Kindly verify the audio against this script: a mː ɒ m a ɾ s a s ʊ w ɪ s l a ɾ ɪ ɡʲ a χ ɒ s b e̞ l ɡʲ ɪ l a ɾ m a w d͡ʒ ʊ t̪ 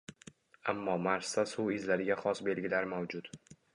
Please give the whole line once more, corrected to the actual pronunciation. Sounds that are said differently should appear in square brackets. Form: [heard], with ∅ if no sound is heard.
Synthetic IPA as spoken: a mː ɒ m a ɾ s a s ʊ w ɪ [z] l a ɾ ɪ ɡʲ a χ ɒ s b e̞ l ɡʲ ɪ l a ɾ m a w d͡ʒ ʊ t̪